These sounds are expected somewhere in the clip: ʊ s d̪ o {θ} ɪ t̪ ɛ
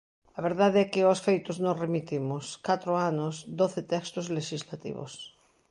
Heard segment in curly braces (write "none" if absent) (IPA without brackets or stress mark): θ